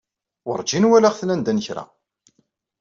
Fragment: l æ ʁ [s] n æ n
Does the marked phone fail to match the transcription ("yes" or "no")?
yes